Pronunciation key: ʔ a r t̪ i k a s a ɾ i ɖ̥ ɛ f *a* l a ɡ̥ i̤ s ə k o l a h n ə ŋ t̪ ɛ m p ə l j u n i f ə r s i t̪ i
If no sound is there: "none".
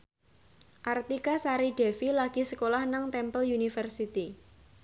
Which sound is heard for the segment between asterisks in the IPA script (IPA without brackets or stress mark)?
i